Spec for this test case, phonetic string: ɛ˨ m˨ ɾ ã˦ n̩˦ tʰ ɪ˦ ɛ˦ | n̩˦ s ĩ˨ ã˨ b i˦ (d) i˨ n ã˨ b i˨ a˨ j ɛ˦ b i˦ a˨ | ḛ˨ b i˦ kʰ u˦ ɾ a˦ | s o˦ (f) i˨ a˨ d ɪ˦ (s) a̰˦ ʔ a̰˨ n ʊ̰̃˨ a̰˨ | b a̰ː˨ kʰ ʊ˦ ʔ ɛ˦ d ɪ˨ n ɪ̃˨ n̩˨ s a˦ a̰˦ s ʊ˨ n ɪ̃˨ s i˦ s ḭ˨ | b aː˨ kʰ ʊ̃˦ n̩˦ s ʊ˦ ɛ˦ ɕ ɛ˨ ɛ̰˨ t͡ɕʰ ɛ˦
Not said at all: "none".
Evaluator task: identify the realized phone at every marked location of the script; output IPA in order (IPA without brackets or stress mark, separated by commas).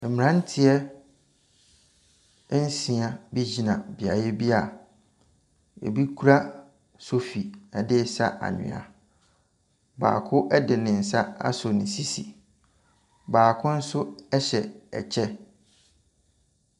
d͡ʑ, f, s